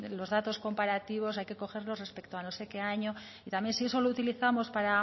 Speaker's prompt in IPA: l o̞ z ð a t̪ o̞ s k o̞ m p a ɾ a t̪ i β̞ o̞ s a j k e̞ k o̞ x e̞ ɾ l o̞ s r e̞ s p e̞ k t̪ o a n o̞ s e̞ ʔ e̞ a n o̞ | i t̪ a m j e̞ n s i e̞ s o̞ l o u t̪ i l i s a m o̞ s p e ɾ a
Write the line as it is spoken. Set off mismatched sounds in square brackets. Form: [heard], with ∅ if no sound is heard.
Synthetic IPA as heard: l o̞ z ð a t̪ o̞ s k o̞ m p a ɾ a t̪ i β̞ o̞ s a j k e̞ k o̞ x e̞ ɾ l o̞ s r e̞ s p e̞ k t̪ o a n o̞ s e̞ [k] e̞ a [ɲ] o̞ | i t̪ a m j e̞ n s i e̞ s o̞ l o u t̪ i l i [θ] a m o̞ s p [a] ɾ a